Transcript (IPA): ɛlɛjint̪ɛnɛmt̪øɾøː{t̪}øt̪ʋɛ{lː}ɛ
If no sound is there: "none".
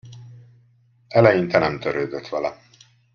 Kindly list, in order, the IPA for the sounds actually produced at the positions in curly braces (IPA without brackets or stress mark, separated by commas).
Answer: d̪, l